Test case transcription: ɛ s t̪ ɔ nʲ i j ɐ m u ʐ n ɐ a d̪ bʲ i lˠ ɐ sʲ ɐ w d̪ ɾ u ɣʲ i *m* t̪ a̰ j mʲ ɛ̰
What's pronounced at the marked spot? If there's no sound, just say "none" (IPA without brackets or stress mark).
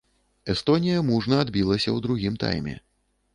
m